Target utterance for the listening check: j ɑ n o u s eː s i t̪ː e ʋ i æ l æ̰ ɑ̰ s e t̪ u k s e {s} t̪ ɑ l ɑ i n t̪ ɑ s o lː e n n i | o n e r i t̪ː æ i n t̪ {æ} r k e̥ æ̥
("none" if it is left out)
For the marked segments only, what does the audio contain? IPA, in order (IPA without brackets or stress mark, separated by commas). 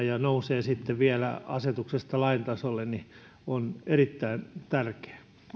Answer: s, æ